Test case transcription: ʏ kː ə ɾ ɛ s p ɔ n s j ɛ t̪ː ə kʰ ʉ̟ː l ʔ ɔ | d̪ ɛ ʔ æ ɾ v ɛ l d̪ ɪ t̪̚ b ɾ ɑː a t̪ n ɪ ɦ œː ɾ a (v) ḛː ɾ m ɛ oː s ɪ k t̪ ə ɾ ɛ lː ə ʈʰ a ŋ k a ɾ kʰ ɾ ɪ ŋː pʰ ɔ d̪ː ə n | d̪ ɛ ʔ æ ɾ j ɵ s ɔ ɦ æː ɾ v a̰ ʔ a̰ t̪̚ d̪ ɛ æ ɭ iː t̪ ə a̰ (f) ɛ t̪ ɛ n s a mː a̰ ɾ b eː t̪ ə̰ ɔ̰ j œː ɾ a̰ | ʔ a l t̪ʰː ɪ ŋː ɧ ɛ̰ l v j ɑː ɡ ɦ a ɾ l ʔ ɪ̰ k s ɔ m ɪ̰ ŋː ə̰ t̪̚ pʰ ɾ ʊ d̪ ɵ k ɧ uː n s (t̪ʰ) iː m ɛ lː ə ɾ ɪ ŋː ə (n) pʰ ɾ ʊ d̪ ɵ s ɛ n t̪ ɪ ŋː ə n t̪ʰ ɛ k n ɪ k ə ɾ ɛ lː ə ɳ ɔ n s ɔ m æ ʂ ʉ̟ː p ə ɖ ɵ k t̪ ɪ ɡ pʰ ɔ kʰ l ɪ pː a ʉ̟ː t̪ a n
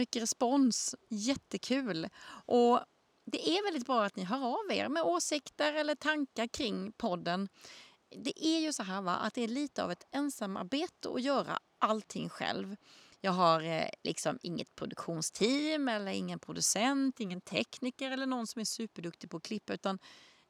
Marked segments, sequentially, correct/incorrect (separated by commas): correct, incorrect, correct, correct